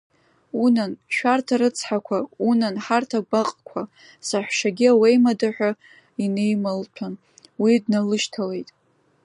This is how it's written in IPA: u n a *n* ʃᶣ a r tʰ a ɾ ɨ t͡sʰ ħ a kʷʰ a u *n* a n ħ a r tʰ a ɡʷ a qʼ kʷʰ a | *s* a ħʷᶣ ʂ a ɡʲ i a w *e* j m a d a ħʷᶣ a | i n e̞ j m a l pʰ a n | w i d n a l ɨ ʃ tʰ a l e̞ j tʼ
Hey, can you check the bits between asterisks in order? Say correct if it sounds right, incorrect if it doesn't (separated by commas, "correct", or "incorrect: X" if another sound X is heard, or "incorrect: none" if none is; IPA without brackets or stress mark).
correct, correct, correct, correct